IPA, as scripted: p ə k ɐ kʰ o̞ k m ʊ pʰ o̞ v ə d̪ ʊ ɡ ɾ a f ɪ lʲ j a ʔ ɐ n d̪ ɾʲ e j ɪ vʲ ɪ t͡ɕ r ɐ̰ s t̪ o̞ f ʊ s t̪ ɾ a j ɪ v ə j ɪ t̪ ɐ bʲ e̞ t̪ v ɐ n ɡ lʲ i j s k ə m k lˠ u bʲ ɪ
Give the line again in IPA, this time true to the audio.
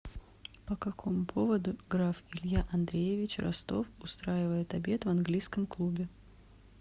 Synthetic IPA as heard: p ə k ɐ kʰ o̞ m ʊ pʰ o̞ v ə d̪ ʊ ɡ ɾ a f ɪ lʲ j a ʔ ɐ n d̪ ɾʲ e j ɪ vʲ ɪ t͡ɕ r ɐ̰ s t̪ o̞ f ʊ s t̪ ɾ a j ɪ v ə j ɪ t̪ ɐ bʲ e̞ t̪ v ɐ n ɡ lʲ i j s k ə m k lˠ u bʲ ɪ